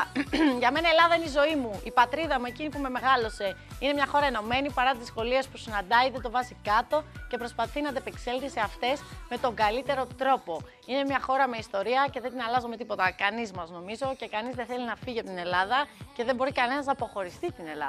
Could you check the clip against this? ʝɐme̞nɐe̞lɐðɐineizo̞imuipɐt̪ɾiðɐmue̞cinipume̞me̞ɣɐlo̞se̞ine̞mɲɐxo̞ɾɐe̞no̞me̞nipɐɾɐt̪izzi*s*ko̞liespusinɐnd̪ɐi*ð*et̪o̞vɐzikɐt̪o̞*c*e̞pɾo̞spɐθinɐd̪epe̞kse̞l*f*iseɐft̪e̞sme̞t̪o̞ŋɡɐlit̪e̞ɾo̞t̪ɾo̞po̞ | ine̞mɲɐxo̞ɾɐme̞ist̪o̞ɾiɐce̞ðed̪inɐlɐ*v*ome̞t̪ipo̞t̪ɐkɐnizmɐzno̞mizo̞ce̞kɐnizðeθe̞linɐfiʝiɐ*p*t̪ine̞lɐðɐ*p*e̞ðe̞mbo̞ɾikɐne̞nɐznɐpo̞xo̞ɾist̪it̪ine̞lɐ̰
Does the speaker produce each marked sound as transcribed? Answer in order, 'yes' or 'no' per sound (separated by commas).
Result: yes, yes, yes, no, no, yes, no